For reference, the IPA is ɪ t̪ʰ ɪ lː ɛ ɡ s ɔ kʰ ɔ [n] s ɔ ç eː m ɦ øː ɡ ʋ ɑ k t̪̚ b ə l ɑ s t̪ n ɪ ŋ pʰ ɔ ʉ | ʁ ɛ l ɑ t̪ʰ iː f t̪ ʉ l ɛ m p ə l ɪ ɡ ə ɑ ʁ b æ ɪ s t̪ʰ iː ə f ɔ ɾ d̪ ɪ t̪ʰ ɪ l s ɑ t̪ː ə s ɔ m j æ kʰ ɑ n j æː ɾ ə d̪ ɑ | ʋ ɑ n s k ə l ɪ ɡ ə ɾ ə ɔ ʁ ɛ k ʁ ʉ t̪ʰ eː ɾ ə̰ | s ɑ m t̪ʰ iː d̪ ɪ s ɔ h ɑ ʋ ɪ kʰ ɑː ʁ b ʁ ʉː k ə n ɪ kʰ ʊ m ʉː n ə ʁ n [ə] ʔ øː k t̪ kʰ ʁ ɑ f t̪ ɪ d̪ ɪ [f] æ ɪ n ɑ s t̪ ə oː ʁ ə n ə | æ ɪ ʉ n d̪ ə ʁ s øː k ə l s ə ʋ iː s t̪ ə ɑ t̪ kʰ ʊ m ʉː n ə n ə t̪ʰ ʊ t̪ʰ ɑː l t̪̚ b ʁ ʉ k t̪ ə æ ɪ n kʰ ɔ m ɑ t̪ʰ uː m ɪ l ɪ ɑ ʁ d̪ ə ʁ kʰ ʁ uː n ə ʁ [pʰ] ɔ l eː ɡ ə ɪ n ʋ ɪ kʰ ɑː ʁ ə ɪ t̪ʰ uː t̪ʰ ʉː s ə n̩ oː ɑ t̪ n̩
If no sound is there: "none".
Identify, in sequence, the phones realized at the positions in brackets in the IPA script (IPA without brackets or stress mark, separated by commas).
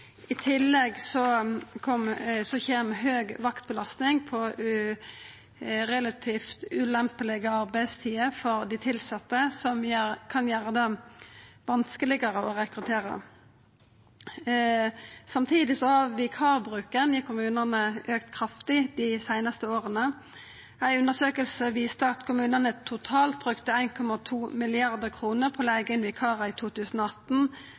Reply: m, ə, s, pʰ